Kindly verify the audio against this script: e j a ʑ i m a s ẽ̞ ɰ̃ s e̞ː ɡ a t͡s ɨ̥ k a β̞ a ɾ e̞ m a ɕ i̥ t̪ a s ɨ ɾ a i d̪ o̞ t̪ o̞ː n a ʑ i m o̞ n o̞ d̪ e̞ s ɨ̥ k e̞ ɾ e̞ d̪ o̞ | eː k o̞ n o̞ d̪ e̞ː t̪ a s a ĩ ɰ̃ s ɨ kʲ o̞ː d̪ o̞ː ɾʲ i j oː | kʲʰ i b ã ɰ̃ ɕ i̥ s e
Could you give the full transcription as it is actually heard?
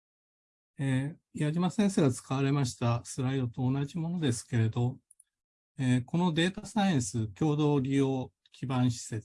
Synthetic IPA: e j a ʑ i m a s ẽ̞ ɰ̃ s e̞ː ɡ a t͡s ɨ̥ k a β̞ a ɾ e̞ m a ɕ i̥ t̪ a s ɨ ɾ a i d̪ o̞ t̪ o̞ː n a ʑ i m o̞ n o̞ d̪ e̞ s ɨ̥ k e̞ ɾ e̞ d̪ o̞ | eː k o̞ n o̞ d̪ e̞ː t̪ a s a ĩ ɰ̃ s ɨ kʲ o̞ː d̪ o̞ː ɾʲ i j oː | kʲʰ i b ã ɰ̃ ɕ i̥ s e